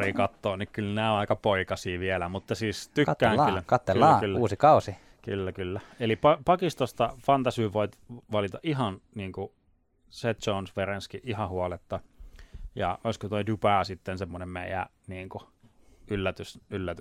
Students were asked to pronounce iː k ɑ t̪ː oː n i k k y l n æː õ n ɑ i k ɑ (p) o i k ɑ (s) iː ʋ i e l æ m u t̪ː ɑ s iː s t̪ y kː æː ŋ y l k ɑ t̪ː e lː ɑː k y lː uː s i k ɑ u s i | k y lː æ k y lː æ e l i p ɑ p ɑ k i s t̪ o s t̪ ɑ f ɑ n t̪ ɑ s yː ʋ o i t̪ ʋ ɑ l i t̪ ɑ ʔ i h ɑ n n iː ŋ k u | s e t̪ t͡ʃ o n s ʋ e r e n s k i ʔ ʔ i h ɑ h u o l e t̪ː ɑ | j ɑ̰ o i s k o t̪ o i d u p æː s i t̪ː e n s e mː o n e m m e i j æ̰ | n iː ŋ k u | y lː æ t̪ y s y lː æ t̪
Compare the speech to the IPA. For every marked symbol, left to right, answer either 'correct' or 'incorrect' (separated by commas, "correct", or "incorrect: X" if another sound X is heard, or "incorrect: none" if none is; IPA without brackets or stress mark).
correct, correct